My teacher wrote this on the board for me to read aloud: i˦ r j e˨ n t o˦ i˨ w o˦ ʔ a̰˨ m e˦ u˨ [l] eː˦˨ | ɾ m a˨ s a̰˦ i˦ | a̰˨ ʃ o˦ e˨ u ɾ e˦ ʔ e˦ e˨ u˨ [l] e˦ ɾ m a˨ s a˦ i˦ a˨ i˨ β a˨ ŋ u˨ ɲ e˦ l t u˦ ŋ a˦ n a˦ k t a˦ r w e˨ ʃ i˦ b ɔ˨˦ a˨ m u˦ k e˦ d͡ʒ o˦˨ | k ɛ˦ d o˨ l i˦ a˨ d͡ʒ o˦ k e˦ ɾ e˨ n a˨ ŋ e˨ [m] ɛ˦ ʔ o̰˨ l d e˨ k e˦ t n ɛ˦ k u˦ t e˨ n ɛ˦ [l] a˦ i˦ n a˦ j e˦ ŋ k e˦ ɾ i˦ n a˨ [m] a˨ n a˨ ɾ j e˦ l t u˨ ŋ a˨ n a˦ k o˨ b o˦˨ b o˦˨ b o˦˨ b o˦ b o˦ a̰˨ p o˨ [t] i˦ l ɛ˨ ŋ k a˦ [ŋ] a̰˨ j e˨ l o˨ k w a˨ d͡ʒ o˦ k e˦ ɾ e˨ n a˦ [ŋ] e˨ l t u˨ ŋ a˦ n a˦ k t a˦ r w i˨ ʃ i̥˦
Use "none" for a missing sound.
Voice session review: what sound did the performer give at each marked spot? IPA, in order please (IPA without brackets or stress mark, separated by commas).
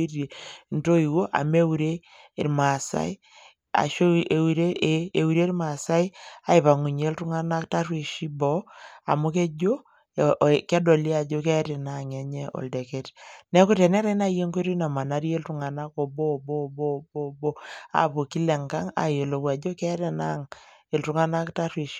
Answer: ɾ, ɾ, ɲ, ɾ, m, k, ŋ, ŋ